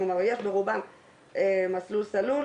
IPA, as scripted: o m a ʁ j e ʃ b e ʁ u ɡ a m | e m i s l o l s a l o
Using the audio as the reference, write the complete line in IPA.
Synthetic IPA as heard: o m a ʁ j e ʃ b e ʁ u b a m | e m a s l u l s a l u